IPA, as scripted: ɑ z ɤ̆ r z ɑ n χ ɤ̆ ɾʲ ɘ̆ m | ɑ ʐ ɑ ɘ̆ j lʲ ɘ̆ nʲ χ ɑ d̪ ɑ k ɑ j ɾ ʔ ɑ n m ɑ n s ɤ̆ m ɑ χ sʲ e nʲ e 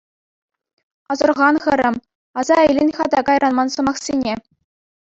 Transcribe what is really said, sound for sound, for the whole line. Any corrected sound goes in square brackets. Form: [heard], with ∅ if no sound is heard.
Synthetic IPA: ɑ z ɤ̆ r [ʁ] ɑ n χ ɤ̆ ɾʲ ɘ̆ m | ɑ [z] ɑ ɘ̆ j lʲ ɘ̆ nʲ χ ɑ d̪ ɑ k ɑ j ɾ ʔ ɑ n m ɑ n s ɤ̆ m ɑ χ sʲ e nʲ e